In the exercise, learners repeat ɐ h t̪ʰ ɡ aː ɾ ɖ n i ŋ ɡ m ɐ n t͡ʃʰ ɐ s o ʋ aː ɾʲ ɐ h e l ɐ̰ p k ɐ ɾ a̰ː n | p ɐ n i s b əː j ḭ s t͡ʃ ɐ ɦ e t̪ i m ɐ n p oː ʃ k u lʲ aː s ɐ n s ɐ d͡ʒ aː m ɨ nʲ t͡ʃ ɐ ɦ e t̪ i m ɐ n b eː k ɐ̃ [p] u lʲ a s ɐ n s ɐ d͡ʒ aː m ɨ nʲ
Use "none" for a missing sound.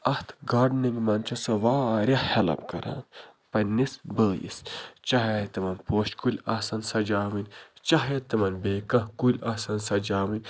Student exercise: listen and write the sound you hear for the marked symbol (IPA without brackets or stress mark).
k